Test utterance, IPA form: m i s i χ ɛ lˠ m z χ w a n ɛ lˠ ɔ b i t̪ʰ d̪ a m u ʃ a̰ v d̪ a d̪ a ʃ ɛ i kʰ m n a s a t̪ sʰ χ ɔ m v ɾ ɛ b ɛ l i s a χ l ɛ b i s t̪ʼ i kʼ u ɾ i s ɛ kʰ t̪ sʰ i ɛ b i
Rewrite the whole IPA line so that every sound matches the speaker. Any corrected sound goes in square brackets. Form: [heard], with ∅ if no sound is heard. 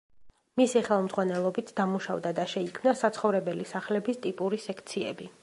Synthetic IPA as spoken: m i s i χ ɛ lˠ m z [ʁ] w a n ɛ lˠ ɔ b i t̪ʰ d̪ a m u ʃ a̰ v d̪ a d̪ a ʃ ɛ i kʰ m n a s a t̪ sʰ χ ɔ [∅] v ɾ ɛ b ɛ l i s a χ l ɛ b i s t̪ʼ i [pʼ] u ɾ i s ɛ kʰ t̪ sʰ i ɛ b i